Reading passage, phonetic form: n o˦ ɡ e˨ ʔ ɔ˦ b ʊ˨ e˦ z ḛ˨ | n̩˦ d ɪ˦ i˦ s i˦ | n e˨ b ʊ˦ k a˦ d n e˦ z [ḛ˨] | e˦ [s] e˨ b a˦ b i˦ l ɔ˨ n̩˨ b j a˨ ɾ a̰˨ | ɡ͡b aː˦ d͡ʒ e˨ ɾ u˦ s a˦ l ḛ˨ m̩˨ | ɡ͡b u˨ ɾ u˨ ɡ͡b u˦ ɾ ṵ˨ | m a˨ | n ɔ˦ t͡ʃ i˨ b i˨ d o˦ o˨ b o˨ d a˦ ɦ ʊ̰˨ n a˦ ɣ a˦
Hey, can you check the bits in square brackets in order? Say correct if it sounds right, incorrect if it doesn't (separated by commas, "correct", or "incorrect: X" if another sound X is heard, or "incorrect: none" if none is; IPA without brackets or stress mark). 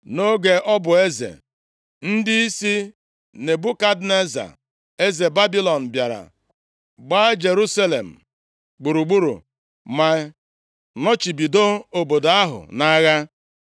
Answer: incorrect: a̰˨, incorrect: z